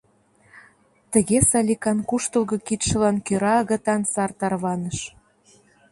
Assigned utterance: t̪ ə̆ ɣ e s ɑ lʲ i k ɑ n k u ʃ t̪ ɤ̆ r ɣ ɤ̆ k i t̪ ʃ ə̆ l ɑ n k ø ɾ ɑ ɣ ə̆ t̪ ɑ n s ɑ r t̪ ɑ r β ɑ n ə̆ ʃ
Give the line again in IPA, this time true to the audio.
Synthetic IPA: t̪ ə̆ ɣ e s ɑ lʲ i k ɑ n k u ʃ t̪ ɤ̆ l ɣ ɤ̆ k i t̪ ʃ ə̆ l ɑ n k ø ɾ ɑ ɣ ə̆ t̪ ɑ n s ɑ r t̪ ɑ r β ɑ n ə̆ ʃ

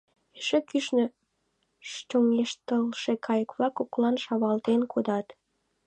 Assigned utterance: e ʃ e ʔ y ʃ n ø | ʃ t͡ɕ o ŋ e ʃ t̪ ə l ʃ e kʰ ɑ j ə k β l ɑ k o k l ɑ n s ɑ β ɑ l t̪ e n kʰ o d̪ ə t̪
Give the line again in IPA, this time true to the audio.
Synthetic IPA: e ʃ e k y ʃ n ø | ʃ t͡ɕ o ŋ e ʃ t̪ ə l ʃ e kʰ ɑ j ə k β l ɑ k o k l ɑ n ʃ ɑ β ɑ l t̪ e n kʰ o d̪ ɑ t̪

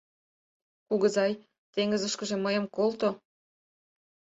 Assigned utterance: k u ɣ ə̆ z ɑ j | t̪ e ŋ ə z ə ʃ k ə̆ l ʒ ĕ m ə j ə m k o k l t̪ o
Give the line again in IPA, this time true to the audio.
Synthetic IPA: k u ɣ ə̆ z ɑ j | t̪ e ŋ ə z ə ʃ k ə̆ ʒ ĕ m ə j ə m k o l t̪ o

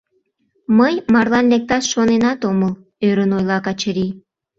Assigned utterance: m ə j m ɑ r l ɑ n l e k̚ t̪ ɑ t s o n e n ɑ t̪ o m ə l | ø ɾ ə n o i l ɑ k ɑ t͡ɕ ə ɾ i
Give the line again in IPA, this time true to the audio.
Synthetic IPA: m ə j m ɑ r l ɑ n l e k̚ t̪ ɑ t ʃ o n e n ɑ t̪ o m ə l | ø ɾ ə n o j l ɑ k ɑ t͡ɕ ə ɾ i

